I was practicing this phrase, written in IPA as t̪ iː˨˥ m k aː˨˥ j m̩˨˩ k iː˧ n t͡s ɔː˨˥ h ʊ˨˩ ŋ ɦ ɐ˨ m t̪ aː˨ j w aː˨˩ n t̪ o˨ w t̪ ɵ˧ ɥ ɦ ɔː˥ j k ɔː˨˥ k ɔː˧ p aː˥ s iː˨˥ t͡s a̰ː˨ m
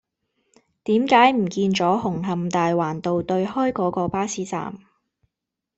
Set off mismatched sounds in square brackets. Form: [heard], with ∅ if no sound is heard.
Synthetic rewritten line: t̪ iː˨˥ m k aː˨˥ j m̩˨˩ k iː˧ n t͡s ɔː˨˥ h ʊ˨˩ ŋ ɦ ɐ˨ m t̪ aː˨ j w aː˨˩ n t̪ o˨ w t̪ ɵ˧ ɥ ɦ ɔː˥ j k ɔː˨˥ k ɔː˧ p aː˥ s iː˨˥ t͡s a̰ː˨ m